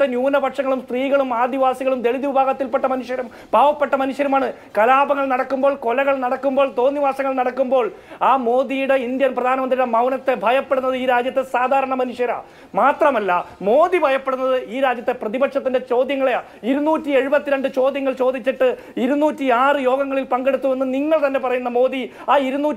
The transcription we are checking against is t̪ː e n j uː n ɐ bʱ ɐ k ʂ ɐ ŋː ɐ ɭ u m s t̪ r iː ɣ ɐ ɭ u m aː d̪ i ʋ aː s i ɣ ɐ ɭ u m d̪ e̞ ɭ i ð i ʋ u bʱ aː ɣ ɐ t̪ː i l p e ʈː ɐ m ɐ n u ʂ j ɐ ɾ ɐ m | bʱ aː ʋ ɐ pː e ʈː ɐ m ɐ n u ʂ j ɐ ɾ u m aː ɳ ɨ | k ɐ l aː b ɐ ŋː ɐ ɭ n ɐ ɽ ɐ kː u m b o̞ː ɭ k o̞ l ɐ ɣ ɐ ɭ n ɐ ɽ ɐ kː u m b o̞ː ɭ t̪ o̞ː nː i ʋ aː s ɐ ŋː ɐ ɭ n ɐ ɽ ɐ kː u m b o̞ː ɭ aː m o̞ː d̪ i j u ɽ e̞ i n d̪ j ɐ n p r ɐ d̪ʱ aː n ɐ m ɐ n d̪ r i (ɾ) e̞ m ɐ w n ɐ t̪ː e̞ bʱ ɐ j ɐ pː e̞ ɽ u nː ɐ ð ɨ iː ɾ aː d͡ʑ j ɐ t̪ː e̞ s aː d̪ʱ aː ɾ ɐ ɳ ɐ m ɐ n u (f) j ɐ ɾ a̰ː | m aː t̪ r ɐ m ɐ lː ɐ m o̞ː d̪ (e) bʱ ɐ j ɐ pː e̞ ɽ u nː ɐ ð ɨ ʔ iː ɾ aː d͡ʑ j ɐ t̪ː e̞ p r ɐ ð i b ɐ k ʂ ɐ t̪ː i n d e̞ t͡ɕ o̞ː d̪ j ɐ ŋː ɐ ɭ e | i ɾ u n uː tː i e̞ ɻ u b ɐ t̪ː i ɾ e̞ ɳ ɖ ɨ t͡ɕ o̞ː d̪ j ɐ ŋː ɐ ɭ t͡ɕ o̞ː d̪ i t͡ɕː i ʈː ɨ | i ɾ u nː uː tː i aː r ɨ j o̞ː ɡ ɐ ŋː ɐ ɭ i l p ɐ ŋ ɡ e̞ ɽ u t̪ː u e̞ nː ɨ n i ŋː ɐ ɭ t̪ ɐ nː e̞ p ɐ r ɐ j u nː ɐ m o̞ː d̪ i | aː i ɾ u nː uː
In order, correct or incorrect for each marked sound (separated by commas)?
incorrect, incorrect, incorrect